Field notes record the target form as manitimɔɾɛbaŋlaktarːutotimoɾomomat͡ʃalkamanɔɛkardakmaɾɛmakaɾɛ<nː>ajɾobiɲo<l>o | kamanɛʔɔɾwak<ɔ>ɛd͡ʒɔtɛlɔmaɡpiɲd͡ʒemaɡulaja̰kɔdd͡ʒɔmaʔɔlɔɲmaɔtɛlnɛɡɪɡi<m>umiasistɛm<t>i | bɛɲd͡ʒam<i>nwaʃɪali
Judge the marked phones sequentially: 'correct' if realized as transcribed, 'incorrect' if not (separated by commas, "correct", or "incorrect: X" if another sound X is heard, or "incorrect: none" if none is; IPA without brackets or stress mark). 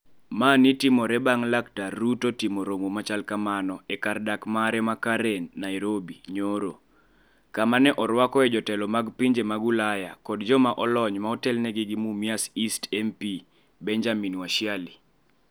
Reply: correct, incorrect: ɾ, correct, correct, incorrect: p, correct